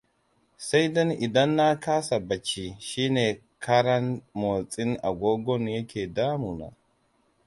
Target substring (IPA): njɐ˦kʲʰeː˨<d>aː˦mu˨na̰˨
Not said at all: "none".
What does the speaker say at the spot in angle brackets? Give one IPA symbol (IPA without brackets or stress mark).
d